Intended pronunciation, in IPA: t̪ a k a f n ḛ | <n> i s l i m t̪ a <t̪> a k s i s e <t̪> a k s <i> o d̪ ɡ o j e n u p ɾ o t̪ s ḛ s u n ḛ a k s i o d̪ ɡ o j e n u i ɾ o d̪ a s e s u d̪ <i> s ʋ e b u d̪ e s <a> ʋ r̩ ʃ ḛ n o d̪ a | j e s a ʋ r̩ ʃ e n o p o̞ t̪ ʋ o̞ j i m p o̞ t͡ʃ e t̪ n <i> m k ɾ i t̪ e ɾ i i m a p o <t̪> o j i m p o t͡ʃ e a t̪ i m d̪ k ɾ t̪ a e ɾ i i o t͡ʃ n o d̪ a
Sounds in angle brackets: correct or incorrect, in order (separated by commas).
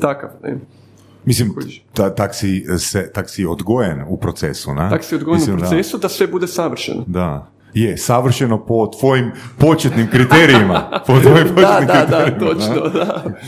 incorrect, correct, correct, correct, incorrect, correct, correct, correct